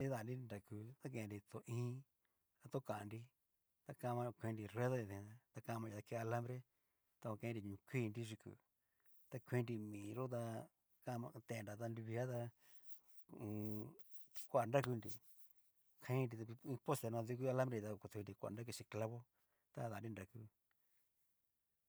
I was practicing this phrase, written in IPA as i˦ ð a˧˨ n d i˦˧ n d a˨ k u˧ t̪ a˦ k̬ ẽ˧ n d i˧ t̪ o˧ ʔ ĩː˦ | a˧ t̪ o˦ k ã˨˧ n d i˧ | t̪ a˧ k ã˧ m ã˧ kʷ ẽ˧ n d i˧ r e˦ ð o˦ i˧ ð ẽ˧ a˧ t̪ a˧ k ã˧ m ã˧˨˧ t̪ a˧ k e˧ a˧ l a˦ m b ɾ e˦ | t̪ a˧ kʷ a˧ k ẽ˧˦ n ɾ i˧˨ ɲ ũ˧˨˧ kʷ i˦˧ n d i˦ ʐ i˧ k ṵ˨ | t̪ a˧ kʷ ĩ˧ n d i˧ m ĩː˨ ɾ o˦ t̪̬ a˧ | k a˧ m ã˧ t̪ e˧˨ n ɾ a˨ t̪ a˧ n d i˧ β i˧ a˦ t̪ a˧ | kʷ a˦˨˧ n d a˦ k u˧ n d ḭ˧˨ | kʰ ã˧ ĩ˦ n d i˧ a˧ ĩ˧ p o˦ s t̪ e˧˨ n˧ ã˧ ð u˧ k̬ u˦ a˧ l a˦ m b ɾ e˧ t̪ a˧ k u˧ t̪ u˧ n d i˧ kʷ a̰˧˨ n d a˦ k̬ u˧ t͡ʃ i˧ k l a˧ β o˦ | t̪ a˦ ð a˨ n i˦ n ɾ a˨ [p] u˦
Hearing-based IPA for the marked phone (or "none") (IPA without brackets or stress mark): k